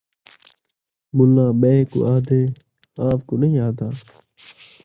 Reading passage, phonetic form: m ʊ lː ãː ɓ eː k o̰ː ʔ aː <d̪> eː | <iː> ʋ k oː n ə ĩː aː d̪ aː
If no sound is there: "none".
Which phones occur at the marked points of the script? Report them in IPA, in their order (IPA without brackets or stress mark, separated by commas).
d̪, aː